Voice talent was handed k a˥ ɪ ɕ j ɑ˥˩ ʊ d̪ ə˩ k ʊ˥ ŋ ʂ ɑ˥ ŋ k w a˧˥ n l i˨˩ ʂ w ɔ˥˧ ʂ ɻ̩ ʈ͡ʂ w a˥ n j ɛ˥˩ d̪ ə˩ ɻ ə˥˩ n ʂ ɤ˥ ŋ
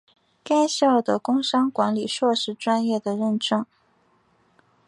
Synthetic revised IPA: k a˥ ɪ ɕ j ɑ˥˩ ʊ d̪ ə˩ k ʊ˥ ŋ ʂ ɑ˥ ŋ k w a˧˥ n l i˨˩ ʂ w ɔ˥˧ ʂ ɻ̩ ʈ͡ʂ w a˥ n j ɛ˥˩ d̪ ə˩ ɻ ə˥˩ n ʈ͡ʂ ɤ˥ ŋ